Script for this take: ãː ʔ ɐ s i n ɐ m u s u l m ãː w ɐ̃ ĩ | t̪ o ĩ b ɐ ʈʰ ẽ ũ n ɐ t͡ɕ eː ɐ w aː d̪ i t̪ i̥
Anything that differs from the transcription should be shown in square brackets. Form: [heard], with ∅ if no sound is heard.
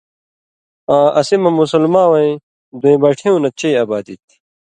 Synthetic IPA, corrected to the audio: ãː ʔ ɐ s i [m] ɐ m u s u l m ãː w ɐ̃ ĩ | [d̪] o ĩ b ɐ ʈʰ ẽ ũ n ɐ t͡ɕ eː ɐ [b] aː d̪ i t̪ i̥